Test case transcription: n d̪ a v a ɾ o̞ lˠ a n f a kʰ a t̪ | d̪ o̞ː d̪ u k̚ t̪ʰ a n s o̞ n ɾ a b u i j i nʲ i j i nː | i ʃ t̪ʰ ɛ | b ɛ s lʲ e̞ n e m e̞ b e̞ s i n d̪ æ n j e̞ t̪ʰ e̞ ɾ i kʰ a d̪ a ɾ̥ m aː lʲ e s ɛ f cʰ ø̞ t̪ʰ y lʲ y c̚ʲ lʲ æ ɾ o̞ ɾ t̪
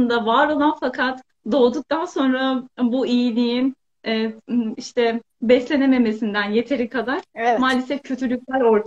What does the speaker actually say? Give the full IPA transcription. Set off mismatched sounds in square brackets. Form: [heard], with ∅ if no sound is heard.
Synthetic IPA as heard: n d̪ a v a ɾ o̞ lˠ a n f a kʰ a t̪ | d̪ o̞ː d̪ u k̚ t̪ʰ a n s o̞ n ɾ a b u i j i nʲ i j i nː | i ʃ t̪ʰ ɛ | b ɛ s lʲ e̞ n e m e̞ [m] e̞ s i n d̪ æ n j e̞ t̪ʰ e̞ ɾ i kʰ a d̪ a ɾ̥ m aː lʲ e s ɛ f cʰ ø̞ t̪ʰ y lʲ y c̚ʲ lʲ æ ɾ o̞ ɾ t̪